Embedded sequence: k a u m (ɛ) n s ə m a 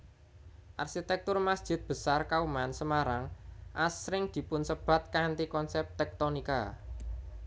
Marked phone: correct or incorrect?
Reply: incorrect